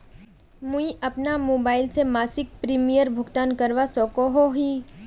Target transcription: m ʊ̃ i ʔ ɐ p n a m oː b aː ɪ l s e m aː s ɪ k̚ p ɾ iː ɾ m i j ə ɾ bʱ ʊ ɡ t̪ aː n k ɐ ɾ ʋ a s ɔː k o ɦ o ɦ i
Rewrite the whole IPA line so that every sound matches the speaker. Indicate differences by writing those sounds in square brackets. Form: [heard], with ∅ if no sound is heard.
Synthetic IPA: m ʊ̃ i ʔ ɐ p n a m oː b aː ɪ l s e m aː s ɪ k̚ p ɾ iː [∅] m i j ə ɾ bʱ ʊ ɡ t̪ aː n k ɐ ɾ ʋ a s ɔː k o ɦ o ɦ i